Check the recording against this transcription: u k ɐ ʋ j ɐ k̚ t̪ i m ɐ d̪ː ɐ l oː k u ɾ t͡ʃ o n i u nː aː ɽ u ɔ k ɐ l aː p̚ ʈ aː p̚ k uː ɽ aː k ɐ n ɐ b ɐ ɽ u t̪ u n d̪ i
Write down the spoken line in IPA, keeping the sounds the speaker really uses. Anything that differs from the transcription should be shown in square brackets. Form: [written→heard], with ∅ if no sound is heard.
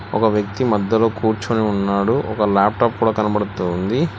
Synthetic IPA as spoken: [u→ɔ] k ɐ ʋ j ɐ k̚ t̪ i m ɐ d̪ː ɐ l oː k [u→uː] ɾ t͡ʃ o n i u nː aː ɽ u ɔ k ɐ l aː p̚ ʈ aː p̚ k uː ɽ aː k ɐ n ɐ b ɐ ɽ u t̪ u n d̪ i